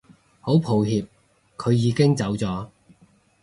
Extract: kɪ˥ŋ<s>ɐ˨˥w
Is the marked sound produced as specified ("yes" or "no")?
no